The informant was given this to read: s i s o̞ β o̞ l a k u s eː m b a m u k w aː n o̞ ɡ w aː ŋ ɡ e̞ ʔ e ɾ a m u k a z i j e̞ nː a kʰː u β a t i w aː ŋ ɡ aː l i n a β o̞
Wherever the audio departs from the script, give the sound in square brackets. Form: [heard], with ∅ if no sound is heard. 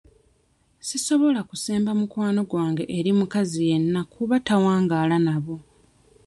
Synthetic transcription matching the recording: s i s o̞ β o̞ l a k u s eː m b a m u k w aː n o̞ ɡ w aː ŋ ɡ e̞ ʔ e ɾ [i] m u k a z i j e̞ nː a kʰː u β a t [a] w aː ŋ ɡ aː l [a] n a β o̞